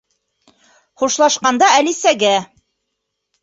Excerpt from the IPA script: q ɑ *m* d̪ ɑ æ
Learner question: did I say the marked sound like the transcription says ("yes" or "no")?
no